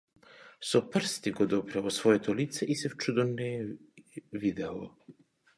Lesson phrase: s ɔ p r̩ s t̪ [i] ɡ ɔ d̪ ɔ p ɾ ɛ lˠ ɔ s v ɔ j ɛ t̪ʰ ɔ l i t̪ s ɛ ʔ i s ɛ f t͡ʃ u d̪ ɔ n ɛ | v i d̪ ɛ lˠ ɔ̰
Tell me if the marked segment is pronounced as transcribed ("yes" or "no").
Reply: yes